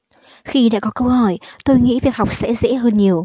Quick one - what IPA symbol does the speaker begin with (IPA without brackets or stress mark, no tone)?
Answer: x